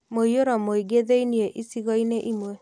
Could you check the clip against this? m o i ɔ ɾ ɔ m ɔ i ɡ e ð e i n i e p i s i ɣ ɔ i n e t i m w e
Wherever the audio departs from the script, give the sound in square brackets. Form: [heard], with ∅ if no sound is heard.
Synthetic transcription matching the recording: m o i [o] ɾ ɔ m [o] i ɡ e ð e i n i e [ʔ] i s i ɣ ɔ i n e [ʔ] i m w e